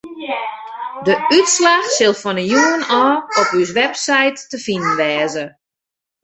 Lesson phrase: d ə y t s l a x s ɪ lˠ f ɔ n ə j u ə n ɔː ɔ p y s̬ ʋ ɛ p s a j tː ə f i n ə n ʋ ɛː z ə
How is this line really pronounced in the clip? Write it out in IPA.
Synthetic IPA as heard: d ə y t s l a x s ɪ lˠ f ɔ n ə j u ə n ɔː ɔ p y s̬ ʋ ɛ p s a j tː ə f i n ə n ʋ ɛː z ə